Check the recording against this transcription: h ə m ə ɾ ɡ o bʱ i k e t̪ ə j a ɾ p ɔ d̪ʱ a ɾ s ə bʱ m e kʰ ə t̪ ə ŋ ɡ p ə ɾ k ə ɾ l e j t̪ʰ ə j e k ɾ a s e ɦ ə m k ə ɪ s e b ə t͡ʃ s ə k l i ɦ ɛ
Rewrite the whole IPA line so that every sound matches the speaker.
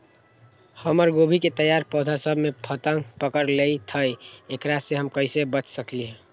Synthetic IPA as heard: h ə m ə ɾ ɡ o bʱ i k e t̪ ə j a ɾ p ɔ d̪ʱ a s ə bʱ m e pʰ ə t̪ ə ŋ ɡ p ə k ə ɾ l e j t̪ʰ ə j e k ɾ a s e ɦ ə m k ə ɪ s e b ə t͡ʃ s ə k l i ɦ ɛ